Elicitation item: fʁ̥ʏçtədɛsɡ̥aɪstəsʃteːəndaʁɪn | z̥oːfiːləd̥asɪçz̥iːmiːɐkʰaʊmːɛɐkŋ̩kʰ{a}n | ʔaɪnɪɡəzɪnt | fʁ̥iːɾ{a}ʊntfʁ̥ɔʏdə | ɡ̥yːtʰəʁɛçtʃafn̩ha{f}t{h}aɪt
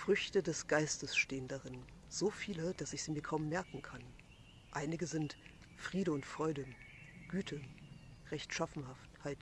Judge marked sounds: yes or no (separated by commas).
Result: yes, no, yes, yes